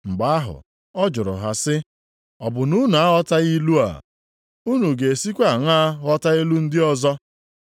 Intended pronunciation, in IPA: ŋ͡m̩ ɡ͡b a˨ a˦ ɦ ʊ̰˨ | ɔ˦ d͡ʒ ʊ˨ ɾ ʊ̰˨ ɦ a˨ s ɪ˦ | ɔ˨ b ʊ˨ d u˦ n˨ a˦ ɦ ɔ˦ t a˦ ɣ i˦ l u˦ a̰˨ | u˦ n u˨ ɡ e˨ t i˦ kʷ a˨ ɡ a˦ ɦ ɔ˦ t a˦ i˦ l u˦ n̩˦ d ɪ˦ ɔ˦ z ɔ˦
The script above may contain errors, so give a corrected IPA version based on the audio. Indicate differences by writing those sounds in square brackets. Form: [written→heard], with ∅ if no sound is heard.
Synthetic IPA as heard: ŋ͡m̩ ɡ͡b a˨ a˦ ɦ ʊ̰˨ | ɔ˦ d͡ʒ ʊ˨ ɾ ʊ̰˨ ɦ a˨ s ɪ˦ | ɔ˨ b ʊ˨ [d→n] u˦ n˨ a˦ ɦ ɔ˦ t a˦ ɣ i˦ l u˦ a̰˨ | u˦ n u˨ ɡ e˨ [t→s] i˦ kʷ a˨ [ɡ→ŋ] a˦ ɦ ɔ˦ t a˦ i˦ l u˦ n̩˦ d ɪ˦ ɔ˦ z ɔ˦